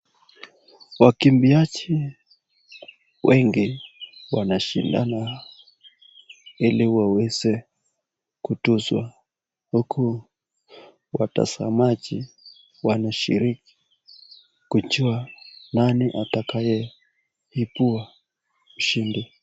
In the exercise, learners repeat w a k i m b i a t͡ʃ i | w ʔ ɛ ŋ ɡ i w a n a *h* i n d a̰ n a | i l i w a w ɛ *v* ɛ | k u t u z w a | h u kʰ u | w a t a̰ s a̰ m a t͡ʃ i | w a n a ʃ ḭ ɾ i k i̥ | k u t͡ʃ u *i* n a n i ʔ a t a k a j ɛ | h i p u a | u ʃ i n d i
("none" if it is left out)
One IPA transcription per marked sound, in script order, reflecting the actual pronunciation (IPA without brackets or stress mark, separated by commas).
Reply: ʃ, z, a